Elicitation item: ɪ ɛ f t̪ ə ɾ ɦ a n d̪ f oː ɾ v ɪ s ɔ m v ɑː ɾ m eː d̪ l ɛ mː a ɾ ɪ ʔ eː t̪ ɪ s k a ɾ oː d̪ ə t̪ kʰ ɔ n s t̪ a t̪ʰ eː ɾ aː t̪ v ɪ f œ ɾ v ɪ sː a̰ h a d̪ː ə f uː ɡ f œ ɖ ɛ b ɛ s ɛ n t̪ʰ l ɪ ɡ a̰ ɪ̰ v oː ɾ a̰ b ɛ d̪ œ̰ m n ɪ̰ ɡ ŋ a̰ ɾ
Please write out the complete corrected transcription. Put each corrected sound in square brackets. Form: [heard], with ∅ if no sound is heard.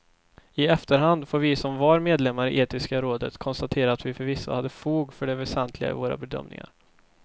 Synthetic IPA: ɪ ɛ f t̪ ə ɾ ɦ a n d̪ f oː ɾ v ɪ s ɔ m v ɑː ɾ m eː d̪ l ɛ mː a ɾ ɪ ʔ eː t̪ ɪ s k a ɾ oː d̪ ə t̪ kʰ ɔ n s t̪ a t̪ʰ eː ɾ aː t̪ v ɪ f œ ɾ v ɪ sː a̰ h a d̪ː ə f uː ɡ f œ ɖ ɛ [v] ɛ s ɛ n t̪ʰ l ɪ ɡ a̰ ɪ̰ v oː ɾ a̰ b ɛ d̪ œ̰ m n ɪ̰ [∅] ŋ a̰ ɾ